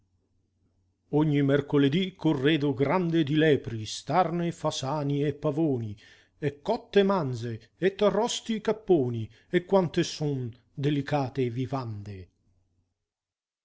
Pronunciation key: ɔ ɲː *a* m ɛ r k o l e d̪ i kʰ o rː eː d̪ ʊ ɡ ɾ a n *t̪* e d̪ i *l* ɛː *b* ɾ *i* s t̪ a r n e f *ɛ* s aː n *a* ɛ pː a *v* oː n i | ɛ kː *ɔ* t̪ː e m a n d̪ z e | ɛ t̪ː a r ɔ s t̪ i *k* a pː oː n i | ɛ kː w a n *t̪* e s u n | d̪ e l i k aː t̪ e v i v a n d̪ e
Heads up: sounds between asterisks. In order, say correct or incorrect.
incorrect, incorrect, correct, incorrect, correct, incorrect, incorrect, correct, correct, correct, correct

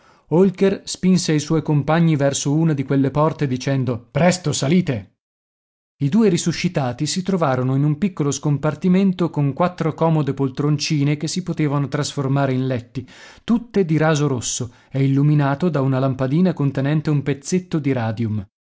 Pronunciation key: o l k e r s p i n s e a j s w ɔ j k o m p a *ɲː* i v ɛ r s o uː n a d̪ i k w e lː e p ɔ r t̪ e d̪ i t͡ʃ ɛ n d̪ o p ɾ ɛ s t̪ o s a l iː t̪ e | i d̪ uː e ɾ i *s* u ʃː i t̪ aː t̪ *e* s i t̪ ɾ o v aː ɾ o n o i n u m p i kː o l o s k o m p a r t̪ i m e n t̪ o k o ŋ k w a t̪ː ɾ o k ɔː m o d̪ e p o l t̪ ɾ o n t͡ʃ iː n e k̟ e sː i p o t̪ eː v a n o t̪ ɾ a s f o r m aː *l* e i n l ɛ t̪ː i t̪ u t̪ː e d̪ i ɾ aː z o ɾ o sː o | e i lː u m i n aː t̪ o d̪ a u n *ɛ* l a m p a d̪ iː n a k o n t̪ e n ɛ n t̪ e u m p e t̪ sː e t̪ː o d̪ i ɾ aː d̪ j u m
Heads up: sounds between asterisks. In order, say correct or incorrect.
correct, correct, incorrect, incorrect, incorrect

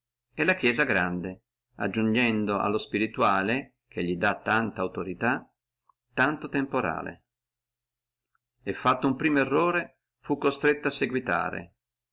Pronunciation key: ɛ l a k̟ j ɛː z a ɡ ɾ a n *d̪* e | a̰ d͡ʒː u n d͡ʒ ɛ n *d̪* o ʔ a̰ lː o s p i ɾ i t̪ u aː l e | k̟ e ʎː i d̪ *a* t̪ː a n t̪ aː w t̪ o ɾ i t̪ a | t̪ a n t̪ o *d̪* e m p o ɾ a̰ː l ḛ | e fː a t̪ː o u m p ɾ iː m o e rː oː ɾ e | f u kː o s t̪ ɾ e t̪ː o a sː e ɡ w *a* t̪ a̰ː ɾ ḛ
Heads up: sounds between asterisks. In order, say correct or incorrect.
correct, correct, correct, incorrect, incorrect

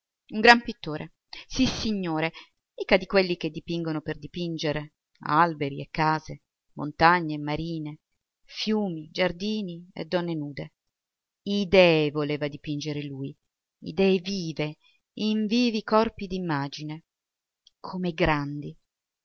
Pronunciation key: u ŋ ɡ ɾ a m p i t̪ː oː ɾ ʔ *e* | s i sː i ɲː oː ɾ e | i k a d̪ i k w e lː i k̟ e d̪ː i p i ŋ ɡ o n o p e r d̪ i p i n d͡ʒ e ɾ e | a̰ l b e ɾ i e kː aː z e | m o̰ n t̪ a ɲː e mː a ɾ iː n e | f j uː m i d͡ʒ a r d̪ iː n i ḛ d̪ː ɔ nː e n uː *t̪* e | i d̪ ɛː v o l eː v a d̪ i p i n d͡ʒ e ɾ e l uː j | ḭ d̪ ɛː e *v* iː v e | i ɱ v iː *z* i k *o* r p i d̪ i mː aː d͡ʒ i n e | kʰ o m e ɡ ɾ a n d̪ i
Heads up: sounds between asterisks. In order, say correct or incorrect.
correct, incorrect, correct, incorrect, incorrect

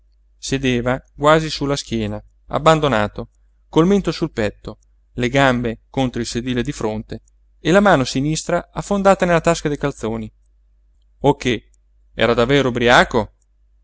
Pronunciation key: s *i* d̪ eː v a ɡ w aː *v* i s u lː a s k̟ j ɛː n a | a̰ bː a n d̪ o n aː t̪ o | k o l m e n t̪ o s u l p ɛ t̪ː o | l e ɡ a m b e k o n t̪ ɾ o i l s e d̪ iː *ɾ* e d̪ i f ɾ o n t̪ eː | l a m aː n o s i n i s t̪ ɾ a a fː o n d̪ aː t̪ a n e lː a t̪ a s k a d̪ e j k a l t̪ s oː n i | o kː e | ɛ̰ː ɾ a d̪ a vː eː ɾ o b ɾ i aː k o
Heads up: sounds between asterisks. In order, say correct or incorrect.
incorrect, incorrect, incorrect

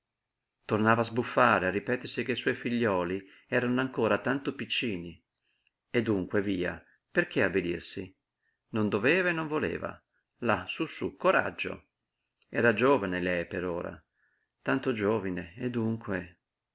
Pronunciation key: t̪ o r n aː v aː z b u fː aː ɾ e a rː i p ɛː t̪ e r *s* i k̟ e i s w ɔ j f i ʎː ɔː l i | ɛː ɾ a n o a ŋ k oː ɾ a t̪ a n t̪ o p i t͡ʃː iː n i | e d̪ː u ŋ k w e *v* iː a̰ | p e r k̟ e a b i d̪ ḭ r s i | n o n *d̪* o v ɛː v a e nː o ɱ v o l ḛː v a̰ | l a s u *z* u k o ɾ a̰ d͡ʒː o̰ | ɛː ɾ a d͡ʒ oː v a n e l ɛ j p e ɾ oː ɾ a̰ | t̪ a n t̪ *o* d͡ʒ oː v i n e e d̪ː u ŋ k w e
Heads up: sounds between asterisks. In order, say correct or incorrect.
correct, correct, correct, incorrect, correct

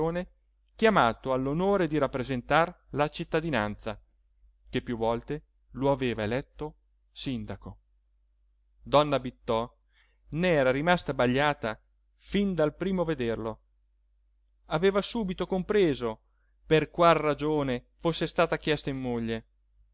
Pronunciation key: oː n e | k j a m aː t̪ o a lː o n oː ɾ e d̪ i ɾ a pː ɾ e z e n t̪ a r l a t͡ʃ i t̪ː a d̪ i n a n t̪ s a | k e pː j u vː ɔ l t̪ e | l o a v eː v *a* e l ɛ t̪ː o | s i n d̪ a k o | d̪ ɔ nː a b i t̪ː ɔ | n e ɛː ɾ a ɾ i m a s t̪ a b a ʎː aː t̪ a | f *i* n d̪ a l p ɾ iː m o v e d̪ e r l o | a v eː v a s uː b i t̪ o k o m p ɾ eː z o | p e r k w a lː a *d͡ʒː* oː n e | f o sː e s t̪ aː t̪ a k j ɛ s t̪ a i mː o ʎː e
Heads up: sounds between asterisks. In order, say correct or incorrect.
correct, correct, incorrect

